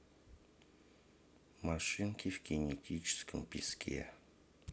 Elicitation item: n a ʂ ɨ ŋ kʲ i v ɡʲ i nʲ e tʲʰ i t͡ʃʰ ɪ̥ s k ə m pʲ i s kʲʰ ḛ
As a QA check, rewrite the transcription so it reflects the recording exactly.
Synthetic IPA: m a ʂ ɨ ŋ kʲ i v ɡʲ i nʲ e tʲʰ i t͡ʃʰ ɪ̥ s k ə m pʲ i s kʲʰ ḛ